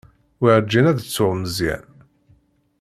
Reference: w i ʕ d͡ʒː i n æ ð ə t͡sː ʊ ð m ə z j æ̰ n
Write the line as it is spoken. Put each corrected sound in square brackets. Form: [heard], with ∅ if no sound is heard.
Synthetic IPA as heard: w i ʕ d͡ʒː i n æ ð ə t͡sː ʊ [ʁ] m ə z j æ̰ n